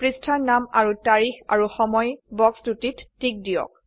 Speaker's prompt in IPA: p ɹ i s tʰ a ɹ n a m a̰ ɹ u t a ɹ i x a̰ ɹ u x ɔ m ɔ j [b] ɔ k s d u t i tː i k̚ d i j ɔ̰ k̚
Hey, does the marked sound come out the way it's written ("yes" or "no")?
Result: yes